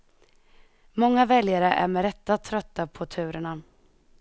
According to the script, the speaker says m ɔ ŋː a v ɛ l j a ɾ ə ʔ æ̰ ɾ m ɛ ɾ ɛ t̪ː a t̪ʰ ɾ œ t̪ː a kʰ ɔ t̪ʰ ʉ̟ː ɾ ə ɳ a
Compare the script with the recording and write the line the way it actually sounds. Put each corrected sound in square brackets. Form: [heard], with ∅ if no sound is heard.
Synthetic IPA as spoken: m ɔ ŋː a v ɛ l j a ɾ ə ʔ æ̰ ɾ m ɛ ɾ ɛ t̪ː a t̪ʰ ɾ œ t̪ː a [pʰ] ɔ t̪ʰ ʉ̟ː ɾ ə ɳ a